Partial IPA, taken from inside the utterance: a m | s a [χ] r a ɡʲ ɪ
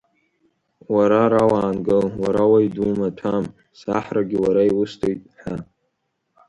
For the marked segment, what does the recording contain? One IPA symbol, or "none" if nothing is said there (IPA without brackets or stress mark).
ħ